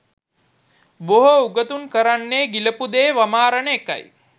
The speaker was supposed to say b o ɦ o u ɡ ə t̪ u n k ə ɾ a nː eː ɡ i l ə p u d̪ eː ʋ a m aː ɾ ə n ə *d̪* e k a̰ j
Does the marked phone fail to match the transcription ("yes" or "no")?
yes